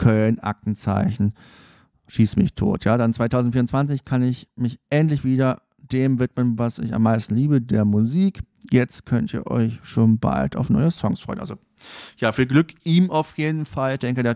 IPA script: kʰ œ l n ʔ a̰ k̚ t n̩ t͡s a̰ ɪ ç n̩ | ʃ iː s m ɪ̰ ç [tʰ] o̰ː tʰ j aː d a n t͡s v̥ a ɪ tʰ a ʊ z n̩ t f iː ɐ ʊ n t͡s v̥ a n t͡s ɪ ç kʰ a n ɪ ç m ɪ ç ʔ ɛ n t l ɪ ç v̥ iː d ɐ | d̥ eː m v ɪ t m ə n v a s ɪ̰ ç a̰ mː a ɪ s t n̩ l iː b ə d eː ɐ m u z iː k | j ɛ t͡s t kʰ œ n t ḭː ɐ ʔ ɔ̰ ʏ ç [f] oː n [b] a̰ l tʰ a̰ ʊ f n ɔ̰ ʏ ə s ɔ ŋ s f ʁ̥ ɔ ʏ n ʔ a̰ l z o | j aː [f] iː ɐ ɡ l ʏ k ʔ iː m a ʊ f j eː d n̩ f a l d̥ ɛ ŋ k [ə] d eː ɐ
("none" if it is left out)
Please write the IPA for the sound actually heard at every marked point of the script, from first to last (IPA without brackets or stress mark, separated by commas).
tʰ, ʃ, b, f, ə